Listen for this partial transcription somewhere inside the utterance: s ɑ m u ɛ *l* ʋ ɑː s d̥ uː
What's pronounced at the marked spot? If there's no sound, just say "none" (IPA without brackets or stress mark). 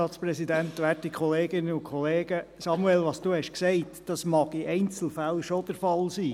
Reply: l